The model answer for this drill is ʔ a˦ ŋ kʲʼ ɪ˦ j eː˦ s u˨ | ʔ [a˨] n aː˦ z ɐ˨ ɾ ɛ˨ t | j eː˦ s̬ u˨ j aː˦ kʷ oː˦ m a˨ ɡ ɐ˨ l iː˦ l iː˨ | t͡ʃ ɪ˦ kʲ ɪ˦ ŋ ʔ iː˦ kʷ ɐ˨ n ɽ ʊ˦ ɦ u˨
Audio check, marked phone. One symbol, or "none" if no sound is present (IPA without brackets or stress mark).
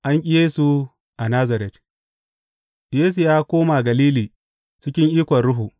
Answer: a˨